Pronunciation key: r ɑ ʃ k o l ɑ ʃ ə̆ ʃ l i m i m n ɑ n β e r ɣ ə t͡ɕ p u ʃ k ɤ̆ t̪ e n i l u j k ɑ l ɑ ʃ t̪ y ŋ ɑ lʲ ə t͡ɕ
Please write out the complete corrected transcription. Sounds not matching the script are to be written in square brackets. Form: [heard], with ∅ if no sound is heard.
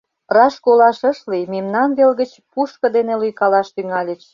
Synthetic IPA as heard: r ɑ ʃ k o l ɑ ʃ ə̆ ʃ l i m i m n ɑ n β e [l] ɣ ə t͡ɕ p u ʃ k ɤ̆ [d̪] e n [e] l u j k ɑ l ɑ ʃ t̪ y ŋ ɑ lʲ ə t͡ɕ